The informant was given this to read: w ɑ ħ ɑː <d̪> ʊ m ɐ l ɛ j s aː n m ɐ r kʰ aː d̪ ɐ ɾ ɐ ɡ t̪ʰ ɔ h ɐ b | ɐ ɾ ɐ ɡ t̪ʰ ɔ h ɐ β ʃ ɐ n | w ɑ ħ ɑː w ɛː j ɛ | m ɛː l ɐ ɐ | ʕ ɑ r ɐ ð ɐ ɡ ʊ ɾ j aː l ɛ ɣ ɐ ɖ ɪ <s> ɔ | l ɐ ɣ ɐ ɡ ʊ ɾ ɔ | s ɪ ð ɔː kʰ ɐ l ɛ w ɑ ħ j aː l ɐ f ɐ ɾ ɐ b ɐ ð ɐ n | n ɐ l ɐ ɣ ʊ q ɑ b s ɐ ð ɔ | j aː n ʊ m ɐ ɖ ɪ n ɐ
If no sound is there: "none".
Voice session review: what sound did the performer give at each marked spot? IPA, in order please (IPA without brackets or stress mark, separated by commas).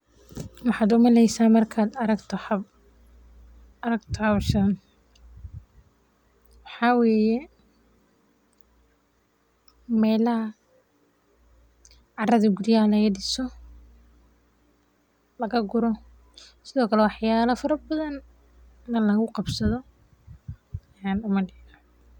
d̪, s